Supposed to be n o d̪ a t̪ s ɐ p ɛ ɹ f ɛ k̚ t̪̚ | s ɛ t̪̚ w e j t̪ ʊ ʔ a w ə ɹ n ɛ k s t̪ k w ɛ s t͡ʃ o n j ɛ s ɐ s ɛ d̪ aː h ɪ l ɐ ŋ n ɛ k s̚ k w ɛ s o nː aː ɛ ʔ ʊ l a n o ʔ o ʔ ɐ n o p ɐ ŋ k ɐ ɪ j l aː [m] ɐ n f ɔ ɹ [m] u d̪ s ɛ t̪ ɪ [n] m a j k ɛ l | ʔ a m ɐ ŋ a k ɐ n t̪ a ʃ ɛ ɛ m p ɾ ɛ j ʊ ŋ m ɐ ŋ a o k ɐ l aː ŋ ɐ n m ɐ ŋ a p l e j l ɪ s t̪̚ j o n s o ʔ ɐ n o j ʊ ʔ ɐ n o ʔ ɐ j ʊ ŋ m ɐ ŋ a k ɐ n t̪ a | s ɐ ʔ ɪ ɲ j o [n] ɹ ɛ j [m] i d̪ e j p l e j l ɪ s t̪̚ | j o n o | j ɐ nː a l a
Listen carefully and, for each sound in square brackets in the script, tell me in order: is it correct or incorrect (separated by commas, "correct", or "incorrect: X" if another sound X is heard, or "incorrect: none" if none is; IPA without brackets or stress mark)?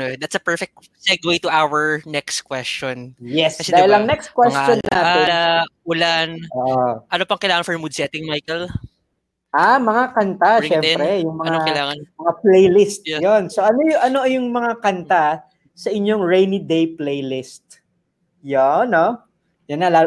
incorrect: ŋ, correct, incorrect: ŋ, incorrect: ŋ, incorrect: n